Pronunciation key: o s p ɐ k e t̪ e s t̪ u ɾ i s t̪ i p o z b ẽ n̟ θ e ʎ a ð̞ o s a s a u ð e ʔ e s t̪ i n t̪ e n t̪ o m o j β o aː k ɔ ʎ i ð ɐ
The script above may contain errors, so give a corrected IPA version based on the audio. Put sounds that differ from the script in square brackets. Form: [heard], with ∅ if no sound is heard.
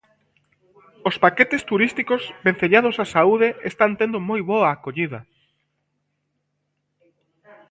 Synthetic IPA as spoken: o s p [a] k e t̪ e s t̪ u ɾ i s t̪ i [k] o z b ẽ n̟ θ e ʎ a ð̞ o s a s a u ð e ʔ e s t̪ [a] n t̪ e n [d̪] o m o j β o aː k [o] ʎ i ð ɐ